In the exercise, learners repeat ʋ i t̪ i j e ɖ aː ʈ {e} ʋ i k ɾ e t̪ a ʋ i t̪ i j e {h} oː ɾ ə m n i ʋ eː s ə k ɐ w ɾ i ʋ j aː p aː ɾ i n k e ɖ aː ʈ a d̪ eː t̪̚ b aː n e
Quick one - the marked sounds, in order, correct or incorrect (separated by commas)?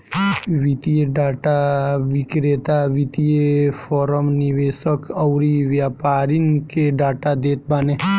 incorrect, incorrect